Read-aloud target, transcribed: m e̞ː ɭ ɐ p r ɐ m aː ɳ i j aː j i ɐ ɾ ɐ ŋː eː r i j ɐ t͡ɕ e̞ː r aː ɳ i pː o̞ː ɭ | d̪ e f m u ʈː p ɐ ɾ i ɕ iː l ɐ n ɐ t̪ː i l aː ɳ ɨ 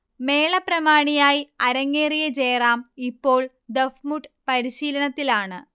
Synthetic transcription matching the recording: m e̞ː ɭ ɐ p r ɐ m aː ɳ i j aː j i ɐ ɾ ɐ ŋː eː r i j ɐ t͡ɕ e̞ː r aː m i pː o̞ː ɭ | d̪ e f m u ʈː p ɐ ɾ i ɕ iː l ɐ n ɐ t̪ː i l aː ɳ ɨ